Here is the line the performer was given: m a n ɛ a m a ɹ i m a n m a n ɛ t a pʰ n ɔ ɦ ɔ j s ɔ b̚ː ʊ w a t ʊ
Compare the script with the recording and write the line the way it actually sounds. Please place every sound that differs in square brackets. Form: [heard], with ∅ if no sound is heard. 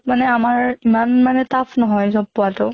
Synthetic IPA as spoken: m a n ɛ a m a ɹ i m a n m a n ɛ t a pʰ n ɔ ɦ ɔ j [z] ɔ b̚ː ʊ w a t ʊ